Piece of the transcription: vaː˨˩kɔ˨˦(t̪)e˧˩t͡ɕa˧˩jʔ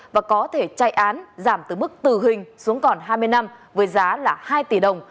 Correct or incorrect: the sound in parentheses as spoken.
incorrect: t̪ʰ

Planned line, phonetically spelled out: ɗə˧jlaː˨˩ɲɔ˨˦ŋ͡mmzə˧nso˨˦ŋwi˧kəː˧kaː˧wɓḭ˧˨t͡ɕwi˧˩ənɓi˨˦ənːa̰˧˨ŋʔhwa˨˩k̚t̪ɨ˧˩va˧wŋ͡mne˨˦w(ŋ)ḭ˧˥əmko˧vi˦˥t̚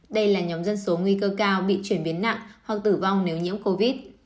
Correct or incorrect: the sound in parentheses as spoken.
incorrect: ɲ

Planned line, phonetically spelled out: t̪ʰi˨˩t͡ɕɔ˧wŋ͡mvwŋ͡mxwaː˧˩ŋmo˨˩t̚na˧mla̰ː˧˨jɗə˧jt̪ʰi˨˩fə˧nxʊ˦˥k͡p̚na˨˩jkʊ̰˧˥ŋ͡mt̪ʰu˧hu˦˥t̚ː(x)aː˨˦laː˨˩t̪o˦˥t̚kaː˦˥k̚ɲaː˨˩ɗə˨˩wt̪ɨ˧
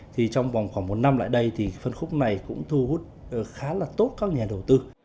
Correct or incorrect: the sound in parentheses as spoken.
correct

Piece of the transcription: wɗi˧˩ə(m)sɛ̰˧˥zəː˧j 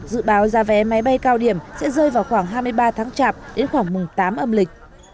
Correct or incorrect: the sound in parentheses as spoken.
correct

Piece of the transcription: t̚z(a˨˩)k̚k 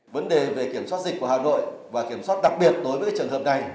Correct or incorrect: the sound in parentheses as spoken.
incorrect: i˨˩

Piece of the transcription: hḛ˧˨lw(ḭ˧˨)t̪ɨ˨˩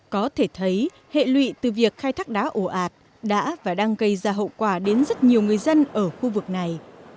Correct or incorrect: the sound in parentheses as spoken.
correct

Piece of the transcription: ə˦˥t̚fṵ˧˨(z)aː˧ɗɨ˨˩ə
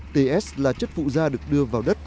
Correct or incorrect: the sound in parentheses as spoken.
correct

